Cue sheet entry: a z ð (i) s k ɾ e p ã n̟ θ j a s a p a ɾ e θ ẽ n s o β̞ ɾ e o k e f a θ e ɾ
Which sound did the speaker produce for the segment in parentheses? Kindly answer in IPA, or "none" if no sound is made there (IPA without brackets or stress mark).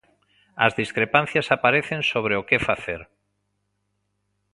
i